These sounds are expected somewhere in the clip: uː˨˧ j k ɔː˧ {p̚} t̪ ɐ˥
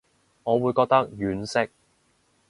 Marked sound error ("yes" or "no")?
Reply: yes